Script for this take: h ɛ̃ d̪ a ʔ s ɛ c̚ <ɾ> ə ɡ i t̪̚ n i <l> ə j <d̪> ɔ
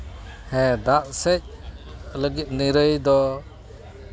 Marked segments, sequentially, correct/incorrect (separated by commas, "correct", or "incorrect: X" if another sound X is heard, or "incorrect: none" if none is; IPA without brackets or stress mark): incorrect: l, incorrect: ɾ, correct